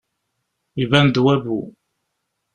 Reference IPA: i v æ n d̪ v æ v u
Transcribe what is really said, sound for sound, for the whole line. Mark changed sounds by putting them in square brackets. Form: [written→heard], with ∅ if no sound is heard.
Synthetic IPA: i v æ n d̪ [v→w] æ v u